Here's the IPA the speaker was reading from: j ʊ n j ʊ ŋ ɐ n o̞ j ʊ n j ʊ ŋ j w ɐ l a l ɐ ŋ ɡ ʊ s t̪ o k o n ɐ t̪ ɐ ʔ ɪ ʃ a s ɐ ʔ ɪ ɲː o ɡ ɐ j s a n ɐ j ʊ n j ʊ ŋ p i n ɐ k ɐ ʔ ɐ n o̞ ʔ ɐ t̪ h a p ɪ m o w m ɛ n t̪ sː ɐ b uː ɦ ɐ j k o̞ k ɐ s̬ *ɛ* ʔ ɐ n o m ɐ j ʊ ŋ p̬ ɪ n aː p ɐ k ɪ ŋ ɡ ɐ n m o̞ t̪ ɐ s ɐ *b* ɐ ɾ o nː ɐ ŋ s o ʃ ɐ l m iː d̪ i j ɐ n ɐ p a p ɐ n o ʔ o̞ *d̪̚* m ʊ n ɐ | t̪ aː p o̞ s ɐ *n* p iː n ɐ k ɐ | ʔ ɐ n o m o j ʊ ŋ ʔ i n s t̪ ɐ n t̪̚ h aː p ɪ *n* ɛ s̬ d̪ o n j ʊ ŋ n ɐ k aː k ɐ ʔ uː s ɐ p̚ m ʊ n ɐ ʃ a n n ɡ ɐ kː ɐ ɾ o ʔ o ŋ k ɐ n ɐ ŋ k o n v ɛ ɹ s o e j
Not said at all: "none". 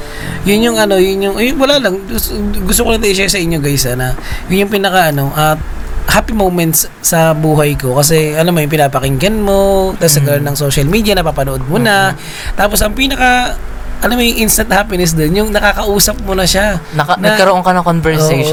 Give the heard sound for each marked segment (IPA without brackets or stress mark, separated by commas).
ɛ, ɡ, d̪̚, ŋ, n